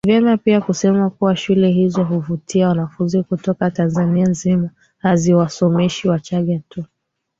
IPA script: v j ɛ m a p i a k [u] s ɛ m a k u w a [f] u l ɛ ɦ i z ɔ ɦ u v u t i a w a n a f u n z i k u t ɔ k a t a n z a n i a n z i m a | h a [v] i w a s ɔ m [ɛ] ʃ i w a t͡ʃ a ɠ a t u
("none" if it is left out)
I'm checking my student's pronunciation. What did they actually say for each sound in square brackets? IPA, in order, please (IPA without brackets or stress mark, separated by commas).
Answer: u, ʃ, z, ɛ